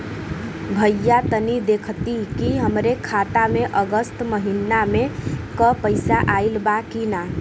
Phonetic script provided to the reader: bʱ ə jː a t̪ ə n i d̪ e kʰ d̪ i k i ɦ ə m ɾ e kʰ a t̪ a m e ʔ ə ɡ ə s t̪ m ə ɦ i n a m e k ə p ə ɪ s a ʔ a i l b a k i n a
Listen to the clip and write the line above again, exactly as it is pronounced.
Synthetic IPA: bʱ ə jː a t̪ ə n i d̪ e kʰ t̪ i k i ɦ ə m ɾ e kʰ a t̪ a m e ʔ ə ɡ ə s t̪ m ə ɦ i n a m e k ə p ə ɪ s a ʔ a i l b a k i n a